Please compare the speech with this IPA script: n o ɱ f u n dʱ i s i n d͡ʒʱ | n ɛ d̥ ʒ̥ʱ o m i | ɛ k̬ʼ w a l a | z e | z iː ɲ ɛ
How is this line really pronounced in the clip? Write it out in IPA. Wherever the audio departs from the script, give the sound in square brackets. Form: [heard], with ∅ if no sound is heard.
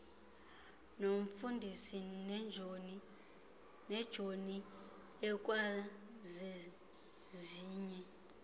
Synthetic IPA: n o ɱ f u n dʱ i s i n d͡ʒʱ | n ɛ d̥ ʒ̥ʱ o [n] i | ɛ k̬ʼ w a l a | z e | z iː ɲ ɛ